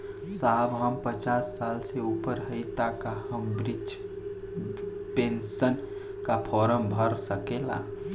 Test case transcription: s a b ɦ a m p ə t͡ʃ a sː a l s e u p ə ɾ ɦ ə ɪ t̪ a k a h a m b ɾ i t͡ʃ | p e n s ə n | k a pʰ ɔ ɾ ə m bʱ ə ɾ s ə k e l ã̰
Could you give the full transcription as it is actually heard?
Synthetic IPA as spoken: s a b ɦ ə m p ə t͡ʃ a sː a l s e u p ə ɾ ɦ ə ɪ t̪ a k a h ə m b ɾ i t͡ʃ | p e n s ə n | k a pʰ ɔ ɾ ə m bʱ ə ɾ s ə k e l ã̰